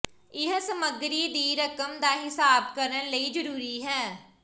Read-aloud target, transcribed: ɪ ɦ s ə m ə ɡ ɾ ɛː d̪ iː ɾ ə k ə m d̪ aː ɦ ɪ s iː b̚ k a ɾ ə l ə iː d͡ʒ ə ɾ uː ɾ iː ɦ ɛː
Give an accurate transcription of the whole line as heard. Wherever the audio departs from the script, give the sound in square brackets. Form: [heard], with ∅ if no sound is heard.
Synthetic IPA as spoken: ɪ ɦ s ə m ə ɡ ɾ [iː] d̪ iː ɾ ə k ə m d̪ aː ɦ ɪ s [aː] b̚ k [ə] ɾ ə l ə iː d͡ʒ ə ɾ uː ɾ iː ɦ ɛː

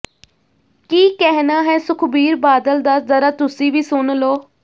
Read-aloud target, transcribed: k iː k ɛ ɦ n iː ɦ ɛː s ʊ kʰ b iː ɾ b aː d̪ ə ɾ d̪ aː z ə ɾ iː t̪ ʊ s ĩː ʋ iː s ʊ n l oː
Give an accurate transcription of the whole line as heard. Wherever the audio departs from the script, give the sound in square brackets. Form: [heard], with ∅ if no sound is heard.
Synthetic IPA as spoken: k iː k ɛ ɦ n [aː] ɦ ɛː s ʊ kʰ b iː ɾ b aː d̪ ə [l] d̪ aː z ə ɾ [aː] t̪ ʊ s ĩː ʋ iː s ʊ n l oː

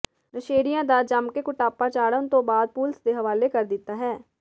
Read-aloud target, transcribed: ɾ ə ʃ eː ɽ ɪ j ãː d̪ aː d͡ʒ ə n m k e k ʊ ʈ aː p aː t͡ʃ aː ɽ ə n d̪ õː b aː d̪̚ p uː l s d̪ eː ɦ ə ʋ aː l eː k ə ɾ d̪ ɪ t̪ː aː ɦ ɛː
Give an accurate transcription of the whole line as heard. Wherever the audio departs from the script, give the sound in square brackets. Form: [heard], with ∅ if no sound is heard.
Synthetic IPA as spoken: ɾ ə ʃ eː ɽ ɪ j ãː d̪ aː d͡ʒ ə [∅] m k e k ʊ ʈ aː p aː t͡ʃ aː ɽ ə n [t̪] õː b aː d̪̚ p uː l s d̪ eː ɦ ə ʋ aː l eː k ə ɾ d̪ ɪ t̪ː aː ɦ ɛː

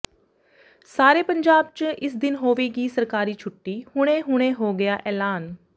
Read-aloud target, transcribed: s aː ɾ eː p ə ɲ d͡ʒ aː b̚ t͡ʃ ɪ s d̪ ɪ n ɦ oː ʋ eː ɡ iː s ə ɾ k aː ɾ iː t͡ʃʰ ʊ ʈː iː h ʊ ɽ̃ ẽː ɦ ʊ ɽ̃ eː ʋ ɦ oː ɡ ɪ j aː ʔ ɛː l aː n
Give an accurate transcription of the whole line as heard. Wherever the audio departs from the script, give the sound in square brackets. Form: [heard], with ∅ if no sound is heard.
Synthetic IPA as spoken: s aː ɾ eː p ə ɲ d͡ʒ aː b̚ t͡ʃ ɪ s d̪ ɪ n ɦ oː ʋ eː ɡ iː s ə ɾ k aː ɾ iː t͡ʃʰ ʊ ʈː iː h ʊ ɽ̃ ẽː ɦ ʊ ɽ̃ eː [∅] ɦ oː ɡ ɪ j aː ʔ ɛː l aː n

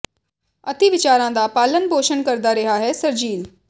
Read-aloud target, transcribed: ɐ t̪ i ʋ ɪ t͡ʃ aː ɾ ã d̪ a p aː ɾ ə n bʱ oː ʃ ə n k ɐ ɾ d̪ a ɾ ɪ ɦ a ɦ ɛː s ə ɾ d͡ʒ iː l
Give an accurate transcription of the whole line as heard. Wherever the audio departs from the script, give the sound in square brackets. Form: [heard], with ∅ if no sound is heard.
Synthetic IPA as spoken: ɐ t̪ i ʋ ɪ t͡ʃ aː ɾ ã d̪ a p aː [l] ə n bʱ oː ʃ ə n k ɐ ɾ d̪ a ɾ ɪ ɦ a ɦ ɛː s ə ɾ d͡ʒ iː l

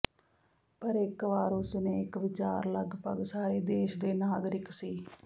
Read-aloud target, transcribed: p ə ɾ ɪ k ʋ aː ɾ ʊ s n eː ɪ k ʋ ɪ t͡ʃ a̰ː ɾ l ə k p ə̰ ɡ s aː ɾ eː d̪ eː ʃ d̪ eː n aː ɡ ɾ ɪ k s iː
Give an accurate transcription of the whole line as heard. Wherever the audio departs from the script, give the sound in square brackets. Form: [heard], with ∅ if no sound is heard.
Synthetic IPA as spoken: p ə ɾ ɪ k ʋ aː ɾ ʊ s n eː ɪ k ʋ ɪ t͡ʃ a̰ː ɾ l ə [ɡ] p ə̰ ɡ s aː ɾ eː d̪ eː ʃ d̪ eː n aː ɡ ɾ ɪ k s iː

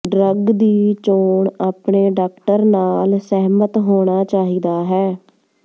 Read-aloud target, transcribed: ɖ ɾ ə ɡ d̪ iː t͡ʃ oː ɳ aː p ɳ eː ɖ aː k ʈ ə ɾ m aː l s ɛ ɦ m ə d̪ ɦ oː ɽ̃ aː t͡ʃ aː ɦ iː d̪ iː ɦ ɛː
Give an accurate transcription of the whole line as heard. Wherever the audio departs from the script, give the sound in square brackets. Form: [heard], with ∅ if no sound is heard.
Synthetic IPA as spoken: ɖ ɾ ə ɡ d̪ iː t͡ʃ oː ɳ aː p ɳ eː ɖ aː k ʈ ə ɾ [n] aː l s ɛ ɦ m ə [t̪] ɦ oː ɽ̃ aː t͡ʃ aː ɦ iː d̪ [aː] ɦ ɛː

